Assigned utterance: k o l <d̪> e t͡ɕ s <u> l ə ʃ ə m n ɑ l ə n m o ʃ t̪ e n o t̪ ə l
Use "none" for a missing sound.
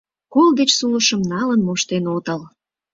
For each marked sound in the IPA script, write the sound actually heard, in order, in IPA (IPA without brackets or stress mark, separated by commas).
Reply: d̪, u